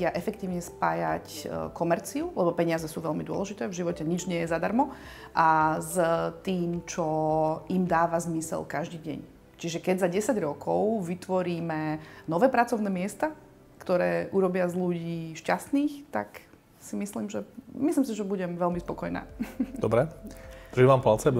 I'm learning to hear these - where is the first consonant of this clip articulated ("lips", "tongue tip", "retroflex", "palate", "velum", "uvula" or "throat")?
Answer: throat